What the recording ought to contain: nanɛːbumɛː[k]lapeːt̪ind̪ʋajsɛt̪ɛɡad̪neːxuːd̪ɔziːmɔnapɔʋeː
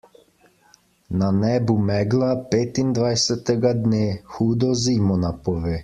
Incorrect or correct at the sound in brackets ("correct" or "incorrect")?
incorrect